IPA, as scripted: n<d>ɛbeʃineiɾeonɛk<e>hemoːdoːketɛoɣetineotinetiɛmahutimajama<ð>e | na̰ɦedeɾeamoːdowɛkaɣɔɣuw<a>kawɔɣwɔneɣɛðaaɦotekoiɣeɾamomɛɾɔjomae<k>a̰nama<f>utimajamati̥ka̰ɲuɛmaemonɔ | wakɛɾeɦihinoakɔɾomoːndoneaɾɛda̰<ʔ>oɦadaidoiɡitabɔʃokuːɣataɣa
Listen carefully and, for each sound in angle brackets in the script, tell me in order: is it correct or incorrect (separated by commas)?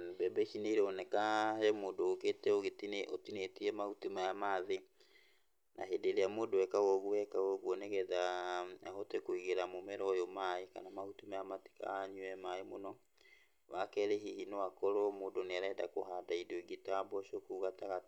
incorrect, incorrect, correct, incorrect, correct, incorrect, incorrect